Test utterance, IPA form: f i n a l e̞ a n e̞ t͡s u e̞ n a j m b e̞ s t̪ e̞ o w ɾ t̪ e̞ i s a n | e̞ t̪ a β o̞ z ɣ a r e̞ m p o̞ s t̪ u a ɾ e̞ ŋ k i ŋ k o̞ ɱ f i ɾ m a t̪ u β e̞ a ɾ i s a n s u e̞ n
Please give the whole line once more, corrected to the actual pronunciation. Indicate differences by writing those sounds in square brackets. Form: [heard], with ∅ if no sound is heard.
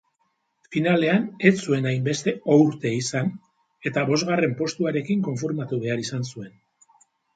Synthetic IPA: f i n a l e̞ a n e̞ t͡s u e̞ n a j m b e̞ s t̪ e̞ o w ɾ t̪ e̞ i s a n | e̞ t̪ a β o̞ z ɣ a r e̞ m p o̞ s t̪ u a ɾ e̞ [∅] k i ŋ k o̞ ɱ f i ɾ m a t̪ u β e̞ a ɾ i s a n s u e̞ n